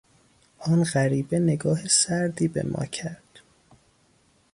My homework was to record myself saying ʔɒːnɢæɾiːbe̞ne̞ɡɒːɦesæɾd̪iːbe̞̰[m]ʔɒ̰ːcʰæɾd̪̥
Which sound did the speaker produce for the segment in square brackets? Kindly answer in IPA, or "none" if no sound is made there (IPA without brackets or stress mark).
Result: m